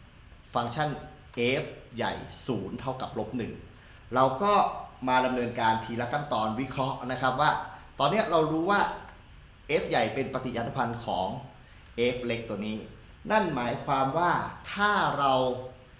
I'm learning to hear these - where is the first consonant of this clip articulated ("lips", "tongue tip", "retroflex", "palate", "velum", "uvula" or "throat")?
lips